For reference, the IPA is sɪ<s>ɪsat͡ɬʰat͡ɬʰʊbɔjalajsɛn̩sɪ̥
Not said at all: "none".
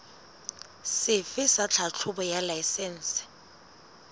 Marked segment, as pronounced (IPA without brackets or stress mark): f